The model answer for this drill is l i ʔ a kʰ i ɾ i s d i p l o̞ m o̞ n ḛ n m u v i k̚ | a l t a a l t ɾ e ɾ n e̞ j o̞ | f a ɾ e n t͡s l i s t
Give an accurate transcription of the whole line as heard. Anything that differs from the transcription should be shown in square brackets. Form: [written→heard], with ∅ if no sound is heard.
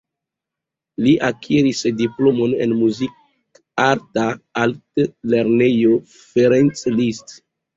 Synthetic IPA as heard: l i ʔ a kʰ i ɾ i s d i p l o̞ m o̞ n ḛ n m u [v→z] i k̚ | a [l→ɾ] t a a l t [ɾ→l] e ɾ n e̞ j o̞ | f [a→e] ɾ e n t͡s l i s t